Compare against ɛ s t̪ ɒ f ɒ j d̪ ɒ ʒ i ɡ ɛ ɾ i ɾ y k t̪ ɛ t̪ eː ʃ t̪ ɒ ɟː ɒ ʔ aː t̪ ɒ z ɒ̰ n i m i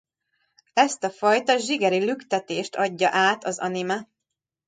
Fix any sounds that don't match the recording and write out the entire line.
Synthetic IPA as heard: ɛ s t̪ ɒ f ɒ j t̪ ɒ ʒ i ɡ ɛ ɾ i l y k t̪ ɛ t̪ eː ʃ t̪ ɒ ɟː ɒ ʔ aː t̪ ɒ z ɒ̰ n i m ɛ